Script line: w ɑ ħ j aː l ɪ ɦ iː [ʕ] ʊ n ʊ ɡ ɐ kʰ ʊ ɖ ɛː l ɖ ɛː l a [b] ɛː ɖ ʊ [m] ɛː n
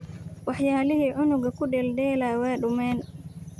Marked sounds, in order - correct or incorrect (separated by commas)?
correct, incorrect, correct